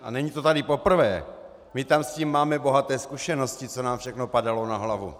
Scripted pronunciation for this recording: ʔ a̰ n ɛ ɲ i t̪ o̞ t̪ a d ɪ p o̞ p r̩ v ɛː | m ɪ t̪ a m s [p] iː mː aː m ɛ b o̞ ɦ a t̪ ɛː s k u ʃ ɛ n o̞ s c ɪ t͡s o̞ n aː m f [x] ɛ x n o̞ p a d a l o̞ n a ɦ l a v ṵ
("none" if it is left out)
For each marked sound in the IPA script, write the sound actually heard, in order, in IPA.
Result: c, ʃ

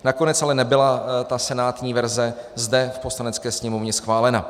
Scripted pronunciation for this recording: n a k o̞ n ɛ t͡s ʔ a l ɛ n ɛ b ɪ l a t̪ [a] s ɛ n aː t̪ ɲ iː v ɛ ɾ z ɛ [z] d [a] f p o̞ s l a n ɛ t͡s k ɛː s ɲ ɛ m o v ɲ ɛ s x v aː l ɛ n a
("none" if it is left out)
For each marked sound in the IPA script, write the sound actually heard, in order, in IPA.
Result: a, z, ɛ

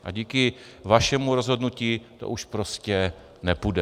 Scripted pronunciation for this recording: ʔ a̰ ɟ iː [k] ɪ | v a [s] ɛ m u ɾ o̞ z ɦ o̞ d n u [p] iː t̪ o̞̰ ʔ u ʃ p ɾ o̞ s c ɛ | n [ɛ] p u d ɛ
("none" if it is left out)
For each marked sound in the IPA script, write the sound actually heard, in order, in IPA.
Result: k, ʃ, c, ɛ

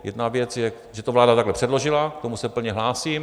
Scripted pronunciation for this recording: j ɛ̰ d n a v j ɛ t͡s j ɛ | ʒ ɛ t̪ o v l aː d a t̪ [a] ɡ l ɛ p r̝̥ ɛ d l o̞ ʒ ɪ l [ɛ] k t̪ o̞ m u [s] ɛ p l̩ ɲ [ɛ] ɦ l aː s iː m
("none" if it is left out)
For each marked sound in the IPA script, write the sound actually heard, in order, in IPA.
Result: a, a, s, ɛ

